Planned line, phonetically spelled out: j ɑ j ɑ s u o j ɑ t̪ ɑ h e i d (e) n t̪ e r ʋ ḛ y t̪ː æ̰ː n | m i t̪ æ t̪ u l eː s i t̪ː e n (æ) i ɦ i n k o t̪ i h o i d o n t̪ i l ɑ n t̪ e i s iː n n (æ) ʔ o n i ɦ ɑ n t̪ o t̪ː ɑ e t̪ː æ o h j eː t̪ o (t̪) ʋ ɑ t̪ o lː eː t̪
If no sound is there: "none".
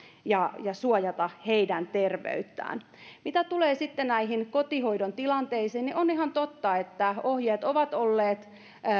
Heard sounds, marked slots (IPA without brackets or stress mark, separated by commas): æ, æ, i, none